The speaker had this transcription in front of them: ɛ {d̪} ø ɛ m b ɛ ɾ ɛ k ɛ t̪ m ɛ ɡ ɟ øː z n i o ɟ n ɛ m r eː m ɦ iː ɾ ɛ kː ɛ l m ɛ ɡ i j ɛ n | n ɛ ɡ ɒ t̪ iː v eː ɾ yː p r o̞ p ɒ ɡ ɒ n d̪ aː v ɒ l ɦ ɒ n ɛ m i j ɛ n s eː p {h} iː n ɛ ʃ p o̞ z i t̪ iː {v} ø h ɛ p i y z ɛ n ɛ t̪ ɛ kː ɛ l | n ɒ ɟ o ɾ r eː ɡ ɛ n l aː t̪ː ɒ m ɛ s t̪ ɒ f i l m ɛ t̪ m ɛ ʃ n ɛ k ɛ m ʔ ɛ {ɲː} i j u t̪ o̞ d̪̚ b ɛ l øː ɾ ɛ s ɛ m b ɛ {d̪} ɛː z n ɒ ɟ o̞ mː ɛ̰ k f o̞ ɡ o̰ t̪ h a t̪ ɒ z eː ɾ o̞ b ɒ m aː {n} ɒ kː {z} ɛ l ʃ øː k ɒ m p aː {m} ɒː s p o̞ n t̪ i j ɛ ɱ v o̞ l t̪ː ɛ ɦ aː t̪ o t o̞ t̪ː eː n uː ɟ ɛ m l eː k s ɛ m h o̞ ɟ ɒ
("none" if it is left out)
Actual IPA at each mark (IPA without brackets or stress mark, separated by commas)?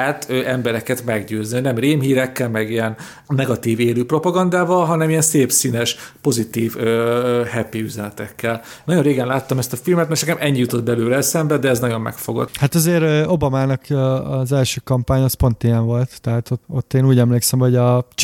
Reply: t̪, s, v, ɲː, d̪, n, z, ɲ